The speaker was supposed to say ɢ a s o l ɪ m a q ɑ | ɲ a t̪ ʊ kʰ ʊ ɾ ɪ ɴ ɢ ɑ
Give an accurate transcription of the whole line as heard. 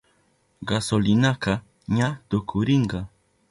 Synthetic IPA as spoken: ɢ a s o l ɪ n a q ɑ | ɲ a t̪ ʊ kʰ ʊ ɾ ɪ ɴ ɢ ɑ

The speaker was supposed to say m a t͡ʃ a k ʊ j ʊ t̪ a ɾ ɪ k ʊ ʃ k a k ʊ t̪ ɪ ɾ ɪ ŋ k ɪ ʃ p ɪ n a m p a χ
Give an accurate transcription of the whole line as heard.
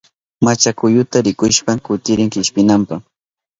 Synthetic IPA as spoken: m a t͡ʃ a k ʊ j ʊ t̪ a ɾ ɪ k ʊ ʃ p a k ʊ t̪ ɪ ɾ ɪ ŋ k ɪ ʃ p ɪ n a m p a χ

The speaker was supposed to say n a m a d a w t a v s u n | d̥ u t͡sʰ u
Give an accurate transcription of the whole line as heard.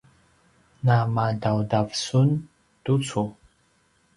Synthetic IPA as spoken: n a m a d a w d a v s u n | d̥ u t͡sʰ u

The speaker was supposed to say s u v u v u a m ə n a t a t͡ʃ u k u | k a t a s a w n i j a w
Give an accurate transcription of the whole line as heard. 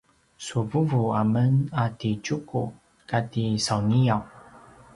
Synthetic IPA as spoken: s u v u v u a m ə n a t i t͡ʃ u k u | k a t i s a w n i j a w

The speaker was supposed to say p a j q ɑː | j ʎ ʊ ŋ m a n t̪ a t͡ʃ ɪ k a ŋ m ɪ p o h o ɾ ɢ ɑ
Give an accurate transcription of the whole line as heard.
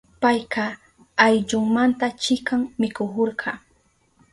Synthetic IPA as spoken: p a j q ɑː | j ʎ ʊ ŋ m a n t̪ a t͡ʃ ɪ k a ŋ m ɪ k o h o ɾ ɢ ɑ

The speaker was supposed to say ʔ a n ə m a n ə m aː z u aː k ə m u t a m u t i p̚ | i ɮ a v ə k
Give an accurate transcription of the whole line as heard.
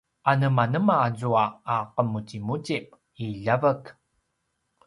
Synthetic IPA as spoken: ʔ a n ə m a n ə m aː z u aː q ə m u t i m u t i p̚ | i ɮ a v ə k

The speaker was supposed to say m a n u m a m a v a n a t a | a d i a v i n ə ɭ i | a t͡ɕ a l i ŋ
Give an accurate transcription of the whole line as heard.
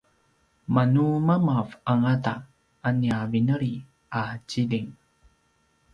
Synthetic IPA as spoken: m a n u m a m a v a ŋ a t a | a n i a v i n ə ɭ i | a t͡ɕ i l i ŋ

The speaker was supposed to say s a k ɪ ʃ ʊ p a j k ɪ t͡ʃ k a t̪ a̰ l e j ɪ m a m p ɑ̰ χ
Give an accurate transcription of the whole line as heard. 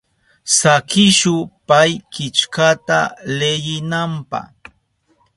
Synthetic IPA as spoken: s a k ɪ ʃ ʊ p a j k ɪ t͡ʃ k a t̪ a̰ l e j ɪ n a m p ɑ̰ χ

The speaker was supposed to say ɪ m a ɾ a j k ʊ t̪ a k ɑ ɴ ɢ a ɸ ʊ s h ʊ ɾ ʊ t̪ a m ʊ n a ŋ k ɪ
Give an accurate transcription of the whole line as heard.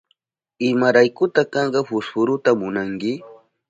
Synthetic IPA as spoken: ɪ m a ɾ a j k ʊ t̪ a k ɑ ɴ ɢ ɑ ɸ ʊ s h ʊ ɾ ʊ t̪ a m ʊ n a ŋ k ɪ

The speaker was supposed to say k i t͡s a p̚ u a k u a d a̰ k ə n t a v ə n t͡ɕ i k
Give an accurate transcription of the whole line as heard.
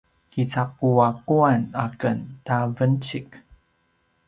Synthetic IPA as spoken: k i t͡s a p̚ u a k u a n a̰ k ə n t a v ə n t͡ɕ i k

